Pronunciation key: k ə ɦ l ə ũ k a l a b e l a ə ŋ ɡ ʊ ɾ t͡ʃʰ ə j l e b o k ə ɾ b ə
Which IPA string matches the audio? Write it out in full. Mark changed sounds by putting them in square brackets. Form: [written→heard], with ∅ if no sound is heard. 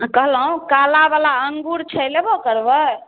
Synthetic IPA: k ə ɦ l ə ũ k a l a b [e→a] l a ə ŋ ɡ [ʊ→u] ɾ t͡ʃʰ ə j l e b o k ə ɾ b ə